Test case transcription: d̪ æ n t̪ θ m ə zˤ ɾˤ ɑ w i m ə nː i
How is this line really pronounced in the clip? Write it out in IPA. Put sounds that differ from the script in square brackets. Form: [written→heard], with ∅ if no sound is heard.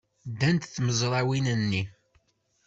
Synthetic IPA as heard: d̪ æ n t̪ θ m ə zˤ ɾˤ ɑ w i [m→n] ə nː i

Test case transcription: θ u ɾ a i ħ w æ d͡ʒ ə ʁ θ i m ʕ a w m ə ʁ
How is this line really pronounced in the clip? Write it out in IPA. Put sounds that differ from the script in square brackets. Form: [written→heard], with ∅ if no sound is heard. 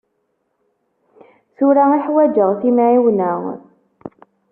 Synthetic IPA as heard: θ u ɾ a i ħ w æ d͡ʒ ə ʁ θ i m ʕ [a→i] w [m→n] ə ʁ

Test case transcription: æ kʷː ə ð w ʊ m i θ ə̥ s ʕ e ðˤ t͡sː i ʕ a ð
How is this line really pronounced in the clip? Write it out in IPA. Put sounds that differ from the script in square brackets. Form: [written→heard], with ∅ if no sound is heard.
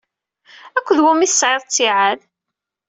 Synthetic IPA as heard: æ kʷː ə ð w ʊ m i θ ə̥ s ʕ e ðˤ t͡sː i ʕ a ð

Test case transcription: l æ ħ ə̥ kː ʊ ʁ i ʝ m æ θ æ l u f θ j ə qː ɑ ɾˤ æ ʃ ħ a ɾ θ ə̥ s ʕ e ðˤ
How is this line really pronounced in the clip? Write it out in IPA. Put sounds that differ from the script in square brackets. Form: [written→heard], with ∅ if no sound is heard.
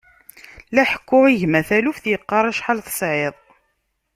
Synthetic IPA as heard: l æ ħ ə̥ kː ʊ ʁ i ʝ m æ θ æ l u f θ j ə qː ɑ ɾˤ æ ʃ ħ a [ɾ→l] θ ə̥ s ʕ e ðˤ

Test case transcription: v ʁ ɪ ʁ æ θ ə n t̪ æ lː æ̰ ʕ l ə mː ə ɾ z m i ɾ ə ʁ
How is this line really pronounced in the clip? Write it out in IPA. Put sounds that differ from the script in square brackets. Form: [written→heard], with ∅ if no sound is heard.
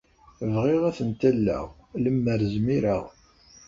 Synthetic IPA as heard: v ʁ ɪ ʁ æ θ ə n t̪ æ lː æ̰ [ʕ→ʁ] l ə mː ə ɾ z m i ɾ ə ʁ

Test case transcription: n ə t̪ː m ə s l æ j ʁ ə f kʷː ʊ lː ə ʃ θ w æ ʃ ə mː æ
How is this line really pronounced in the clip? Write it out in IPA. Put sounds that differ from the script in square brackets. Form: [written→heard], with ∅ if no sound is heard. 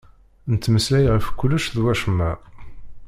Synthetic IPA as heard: n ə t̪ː m ə s l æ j ʁ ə f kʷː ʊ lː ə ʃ [θ→ð] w æ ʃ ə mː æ

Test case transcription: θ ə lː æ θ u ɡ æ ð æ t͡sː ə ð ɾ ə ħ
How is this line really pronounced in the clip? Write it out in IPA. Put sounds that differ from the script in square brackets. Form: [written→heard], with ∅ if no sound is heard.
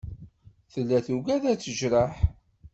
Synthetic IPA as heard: θ ə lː æ θ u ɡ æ ð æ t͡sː ə [ð→ʒ] ɾ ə ħ

